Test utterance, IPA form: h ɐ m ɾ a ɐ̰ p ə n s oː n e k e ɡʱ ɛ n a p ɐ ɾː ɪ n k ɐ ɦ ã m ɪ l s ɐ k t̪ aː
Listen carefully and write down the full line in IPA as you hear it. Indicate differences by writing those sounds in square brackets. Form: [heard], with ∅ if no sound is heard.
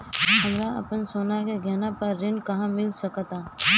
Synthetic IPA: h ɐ m ɾ a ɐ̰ p ə n s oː n [a] k e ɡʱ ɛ n a p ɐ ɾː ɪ n k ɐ ɦ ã m ɪ l s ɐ k t̪ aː